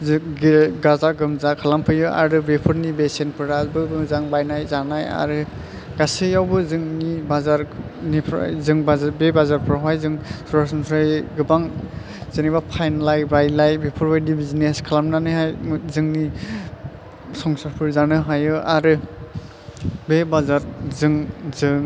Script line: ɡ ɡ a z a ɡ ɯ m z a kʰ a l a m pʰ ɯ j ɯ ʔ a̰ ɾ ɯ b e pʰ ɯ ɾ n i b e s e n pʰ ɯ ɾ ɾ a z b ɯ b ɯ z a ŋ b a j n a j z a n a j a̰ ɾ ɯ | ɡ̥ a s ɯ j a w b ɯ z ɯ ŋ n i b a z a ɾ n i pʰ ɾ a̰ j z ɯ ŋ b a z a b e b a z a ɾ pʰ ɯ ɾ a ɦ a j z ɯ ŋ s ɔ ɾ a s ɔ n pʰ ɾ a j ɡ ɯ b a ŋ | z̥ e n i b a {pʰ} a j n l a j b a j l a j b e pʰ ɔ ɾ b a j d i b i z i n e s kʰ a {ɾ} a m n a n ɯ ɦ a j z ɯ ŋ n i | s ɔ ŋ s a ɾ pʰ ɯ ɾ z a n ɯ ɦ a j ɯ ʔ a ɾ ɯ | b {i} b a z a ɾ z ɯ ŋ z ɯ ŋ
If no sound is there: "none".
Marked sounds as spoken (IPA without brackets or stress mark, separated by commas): pʰ, l, e